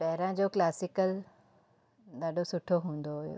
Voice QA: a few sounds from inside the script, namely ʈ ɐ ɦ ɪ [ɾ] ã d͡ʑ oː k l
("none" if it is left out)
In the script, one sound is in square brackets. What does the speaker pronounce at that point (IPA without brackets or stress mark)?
ɾ